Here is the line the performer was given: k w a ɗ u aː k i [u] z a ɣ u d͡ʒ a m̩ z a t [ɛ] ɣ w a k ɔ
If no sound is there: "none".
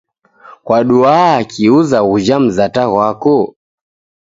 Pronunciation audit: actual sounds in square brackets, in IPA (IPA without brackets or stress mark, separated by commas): u, a